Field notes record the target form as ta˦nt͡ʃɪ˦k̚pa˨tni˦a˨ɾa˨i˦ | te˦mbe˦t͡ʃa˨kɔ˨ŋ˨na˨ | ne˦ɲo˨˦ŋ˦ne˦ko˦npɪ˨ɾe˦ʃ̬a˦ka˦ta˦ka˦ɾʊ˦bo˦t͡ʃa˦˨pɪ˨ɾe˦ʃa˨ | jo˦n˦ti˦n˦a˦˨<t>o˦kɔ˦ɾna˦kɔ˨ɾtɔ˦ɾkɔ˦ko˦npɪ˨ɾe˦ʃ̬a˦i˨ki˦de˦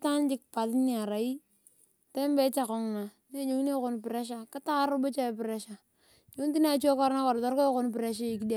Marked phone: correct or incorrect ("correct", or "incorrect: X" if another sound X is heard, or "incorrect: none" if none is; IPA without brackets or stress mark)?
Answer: incorrect: t͡ʃ